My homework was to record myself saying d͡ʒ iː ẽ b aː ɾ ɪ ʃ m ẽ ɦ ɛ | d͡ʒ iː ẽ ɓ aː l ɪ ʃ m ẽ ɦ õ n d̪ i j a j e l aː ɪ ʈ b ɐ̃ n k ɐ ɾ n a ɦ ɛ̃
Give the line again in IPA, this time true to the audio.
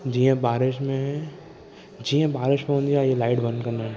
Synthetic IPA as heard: d͡ʒ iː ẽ b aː ɾ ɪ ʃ m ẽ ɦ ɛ | d͡ʒ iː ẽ b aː ɾ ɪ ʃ m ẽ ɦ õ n d̪ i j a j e l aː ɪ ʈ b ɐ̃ n k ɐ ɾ n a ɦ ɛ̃